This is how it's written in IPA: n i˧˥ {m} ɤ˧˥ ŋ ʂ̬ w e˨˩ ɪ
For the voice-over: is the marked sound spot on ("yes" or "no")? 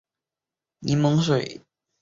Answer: yes